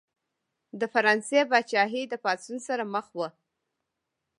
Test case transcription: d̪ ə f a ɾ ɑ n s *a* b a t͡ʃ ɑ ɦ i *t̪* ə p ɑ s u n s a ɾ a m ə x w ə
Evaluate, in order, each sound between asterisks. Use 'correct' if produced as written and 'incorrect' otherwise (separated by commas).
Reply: incorrect, incorrect